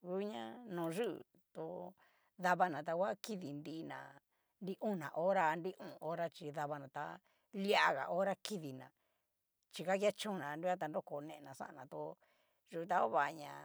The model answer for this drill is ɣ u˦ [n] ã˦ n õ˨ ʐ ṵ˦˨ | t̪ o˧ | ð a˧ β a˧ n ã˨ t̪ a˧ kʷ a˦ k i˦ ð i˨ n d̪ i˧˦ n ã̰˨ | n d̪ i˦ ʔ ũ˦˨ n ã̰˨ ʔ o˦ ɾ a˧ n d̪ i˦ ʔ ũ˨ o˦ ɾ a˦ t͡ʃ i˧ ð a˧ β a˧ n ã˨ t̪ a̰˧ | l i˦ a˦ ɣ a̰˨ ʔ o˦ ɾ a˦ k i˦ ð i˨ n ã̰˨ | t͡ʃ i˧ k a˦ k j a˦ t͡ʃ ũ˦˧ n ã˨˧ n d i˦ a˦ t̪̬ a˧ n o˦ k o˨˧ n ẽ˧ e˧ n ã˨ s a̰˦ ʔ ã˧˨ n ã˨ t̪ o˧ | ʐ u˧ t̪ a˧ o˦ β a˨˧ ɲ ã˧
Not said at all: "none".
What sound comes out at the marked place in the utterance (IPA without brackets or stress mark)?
ɲ